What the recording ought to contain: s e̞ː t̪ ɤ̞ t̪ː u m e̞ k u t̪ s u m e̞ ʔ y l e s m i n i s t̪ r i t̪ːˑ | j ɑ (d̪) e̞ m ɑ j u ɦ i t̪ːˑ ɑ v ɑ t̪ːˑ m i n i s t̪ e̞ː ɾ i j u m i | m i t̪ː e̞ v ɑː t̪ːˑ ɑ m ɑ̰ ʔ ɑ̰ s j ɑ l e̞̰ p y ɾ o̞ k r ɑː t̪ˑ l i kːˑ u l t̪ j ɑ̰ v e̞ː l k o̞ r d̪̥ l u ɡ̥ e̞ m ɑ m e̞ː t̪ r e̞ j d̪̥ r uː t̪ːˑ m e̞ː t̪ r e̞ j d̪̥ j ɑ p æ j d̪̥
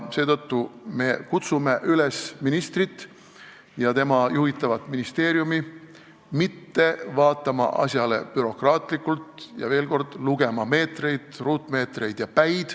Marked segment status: incorrect: t̪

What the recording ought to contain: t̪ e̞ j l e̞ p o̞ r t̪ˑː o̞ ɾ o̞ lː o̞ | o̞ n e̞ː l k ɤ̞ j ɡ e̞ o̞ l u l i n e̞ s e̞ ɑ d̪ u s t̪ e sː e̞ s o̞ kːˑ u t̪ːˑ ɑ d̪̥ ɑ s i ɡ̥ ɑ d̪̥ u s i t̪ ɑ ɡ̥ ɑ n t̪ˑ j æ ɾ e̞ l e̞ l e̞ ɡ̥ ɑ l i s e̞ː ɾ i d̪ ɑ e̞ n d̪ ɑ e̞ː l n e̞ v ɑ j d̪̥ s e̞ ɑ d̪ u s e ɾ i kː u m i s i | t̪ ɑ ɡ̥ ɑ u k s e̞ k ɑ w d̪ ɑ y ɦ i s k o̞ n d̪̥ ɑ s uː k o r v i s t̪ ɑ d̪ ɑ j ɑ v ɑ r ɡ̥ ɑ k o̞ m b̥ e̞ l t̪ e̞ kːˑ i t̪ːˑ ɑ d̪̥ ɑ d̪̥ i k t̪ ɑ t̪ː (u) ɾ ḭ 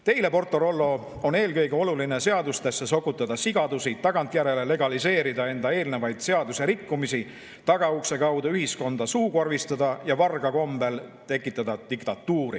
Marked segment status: incorrect: uː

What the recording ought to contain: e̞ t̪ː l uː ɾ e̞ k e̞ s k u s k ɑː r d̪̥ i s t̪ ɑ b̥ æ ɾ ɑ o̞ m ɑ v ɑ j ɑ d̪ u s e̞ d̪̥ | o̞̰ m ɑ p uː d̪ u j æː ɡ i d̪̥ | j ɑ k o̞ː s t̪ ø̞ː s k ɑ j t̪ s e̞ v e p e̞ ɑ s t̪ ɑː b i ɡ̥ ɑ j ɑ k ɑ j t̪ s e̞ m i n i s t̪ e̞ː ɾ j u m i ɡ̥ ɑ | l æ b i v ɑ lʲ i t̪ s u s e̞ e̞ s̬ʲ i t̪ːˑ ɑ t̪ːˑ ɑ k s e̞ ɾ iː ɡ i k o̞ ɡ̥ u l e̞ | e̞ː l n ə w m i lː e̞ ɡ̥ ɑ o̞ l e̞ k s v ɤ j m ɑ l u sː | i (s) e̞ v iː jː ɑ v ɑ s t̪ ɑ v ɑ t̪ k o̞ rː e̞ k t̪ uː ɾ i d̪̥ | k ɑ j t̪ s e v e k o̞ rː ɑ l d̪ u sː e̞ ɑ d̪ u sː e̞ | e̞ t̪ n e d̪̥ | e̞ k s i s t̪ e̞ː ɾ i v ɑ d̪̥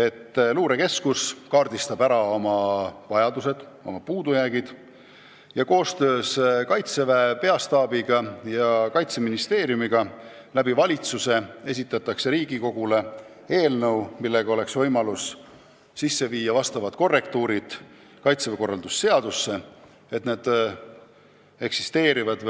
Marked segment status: incorrect: sː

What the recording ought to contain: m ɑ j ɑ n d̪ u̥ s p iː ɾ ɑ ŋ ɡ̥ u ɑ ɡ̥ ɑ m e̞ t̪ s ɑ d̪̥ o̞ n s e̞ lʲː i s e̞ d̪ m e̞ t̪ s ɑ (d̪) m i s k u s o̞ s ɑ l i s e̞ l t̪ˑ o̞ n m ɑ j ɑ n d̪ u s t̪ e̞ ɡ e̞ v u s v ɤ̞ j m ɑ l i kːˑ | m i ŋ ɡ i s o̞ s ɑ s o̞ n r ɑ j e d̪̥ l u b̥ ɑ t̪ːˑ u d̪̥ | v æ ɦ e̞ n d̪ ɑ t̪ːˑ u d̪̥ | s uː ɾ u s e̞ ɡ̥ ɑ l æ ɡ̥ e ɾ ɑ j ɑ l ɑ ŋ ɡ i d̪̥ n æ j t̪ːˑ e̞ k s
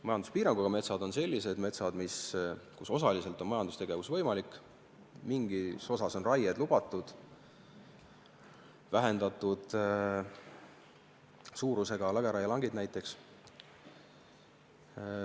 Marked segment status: correct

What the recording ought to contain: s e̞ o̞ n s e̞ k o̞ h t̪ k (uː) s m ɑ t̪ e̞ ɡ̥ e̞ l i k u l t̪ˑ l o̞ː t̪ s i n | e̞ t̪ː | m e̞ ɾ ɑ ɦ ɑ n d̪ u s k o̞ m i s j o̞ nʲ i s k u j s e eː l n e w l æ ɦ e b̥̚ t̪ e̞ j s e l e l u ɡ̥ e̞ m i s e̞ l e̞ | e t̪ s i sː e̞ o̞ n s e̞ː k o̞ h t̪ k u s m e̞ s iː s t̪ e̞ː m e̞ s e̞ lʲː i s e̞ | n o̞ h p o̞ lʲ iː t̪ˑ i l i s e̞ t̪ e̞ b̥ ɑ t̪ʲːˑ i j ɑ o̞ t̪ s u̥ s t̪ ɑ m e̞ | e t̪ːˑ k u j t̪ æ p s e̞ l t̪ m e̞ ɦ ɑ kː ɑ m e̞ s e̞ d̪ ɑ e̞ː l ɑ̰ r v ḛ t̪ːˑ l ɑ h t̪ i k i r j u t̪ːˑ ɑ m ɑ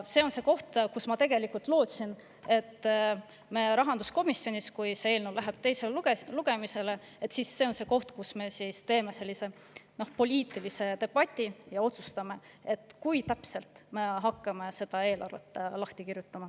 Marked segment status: incorrect: u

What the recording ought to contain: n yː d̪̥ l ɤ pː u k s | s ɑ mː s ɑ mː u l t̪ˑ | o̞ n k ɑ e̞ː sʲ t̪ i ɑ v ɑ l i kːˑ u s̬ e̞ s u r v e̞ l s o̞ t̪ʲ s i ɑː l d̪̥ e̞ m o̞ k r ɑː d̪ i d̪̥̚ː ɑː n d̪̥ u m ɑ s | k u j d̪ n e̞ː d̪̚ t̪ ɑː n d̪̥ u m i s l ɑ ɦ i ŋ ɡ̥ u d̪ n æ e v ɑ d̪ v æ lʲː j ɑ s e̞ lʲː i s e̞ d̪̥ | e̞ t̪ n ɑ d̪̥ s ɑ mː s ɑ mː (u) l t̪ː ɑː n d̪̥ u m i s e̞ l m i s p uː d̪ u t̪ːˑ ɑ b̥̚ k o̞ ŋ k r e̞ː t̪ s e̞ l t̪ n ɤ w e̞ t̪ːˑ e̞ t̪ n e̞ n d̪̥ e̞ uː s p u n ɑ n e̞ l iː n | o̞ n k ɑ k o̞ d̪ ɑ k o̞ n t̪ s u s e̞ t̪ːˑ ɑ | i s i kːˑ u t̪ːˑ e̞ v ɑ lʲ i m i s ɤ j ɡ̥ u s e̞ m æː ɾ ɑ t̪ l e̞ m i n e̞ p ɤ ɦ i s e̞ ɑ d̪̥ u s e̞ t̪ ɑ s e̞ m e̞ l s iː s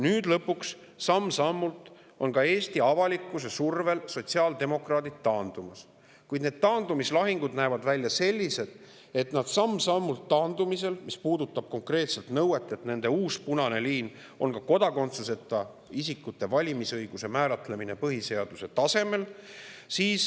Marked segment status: correct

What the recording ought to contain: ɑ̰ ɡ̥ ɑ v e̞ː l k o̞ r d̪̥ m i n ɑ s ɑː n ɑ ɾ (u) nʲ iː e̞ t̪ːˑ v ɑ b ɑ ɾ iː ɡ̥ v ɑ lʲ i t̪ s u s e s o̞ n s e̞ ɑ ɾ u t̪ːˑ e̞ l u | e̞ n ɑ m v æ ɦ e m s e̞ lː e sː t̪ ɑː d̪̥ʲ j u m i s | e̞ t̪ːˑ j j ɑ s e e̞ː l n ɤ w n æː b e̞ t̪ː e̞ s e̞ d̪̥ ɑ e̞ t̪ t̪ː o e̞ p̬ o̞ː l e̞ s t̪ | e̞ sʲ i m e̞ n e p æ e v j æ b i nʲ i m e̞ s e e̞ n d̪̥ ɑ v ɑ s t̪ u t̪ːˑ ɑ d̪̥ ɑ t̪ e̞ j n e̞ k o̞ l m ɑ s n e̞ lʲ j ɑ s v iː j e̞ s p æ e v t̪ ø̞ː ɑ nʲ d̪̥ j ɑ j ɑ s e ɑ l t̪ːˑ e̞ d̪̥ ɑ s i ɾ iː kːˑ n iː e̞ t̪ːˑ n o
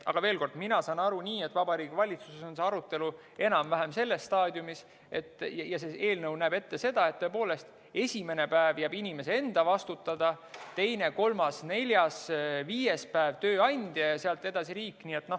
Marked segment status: correct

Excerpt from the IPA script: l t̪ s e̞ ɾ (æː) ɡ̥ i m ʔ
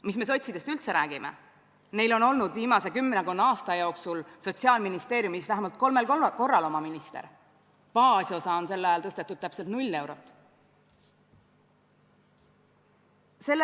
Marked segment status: correct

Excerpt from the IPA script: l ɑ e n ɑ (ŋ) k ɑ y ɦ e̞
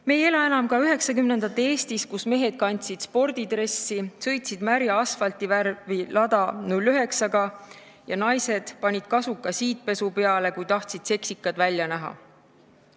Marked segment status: incorrect: m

